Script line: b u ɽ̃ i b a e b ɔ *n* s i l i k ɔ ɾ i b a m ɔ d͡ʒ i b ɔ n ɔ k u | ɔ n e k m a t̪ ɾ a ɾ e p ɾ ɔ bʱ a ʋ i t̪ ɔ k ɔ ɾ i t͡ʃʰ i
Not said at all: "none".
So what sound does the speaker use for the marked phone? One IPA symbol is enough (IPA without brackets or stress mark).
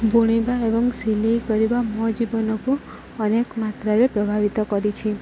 ŋ